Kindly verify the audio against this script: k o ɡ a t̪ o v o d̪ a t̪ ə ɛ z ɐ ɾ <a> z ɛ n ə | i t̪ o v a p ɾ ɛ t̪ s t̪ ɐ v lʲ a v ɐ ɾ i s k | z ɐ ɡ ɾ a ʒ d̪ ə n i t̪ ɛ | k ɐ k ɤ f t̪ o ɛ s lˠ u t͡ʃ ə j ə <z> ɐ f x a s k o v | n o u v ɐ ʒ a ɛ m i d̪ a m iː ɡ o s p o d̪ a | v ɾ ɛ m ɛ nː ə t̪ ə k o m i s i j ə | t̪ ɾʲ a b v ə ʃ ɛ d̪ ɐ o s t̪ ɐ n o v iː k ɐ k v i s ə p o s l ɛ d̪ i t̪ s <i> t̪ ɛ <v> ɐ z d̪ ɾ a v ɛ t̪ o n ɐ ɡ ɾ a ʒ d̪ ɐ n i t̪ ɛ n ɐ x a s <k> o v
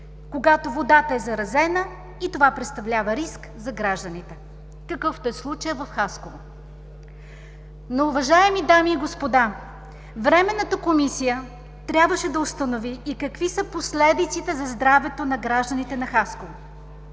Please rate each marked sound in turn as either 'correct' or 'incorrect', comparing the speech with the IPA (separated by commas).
incorrect, incorrect, correct, incorrect, correct